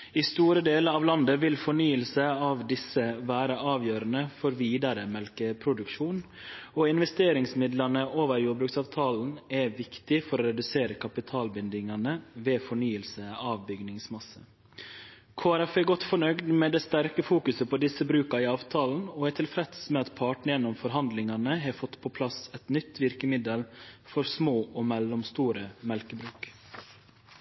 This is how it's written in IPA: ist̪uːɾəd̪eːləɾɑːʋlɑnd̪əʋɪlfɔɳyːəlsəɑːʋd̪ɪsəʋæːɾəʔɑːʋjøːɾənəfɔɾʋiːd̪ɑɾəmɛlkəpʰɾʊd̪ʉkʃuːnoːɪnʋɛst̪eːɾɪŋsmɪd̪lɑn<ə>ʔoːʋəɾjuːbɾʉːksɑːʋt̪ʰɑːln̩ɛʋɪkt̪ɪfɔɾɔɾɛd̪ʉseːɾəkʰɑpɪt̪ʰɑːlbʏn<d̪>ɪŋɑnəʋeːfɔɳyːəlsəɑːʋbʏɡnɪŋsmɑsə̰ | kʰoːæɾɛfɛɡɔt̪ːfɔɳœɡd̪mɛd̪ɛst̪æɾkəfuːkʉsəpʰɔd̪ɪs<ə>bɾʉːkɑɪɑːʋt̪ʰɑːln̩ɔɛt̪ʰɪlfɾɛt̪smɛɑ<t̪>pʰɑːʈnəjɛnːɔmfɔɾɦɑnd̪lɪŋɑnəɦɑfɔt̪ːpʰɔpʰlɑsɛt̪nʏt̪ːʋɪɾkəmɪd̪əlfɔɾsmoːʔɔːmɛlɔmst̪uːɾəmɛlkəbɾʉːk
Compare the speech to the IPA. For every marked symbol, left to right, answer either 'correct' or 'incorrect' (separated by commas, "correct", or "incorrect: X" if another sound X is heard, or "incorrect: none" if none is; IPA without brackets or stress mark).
correct, correct, correct, correct